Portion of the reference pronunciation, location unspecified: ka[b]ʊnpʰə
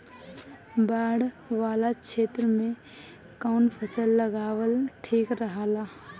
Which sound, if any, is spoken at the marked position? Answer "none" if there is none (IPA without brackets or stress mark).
none